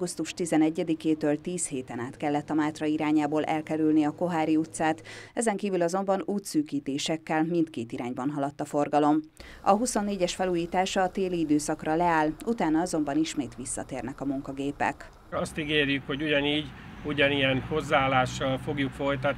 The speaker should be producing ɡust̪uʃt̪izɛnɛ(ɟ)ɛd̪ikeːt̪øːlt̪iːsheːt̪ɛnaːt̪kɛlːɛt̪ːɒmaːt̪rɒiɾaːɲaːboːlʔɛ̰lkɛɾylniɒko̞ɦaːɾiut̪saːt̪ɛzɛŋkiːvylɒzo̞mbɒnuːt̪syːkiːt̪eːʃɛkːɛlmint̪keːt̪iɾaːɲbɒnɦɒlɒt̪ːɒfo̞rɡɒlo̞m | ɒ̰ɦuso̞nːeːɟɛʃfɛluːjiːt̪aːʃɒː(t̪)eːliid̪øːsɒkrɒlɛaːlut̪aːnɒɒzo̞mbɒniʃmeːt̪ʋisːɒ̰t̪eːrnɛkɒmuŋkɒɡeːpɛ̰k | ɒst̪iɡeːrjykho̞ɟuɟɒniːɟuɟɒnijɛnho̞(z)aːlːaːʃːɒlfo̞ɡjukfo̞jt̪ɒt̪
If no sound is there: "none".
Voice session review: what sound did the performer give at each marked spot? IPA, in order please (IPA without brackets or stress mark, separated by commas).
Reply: ɟː, t̪, zː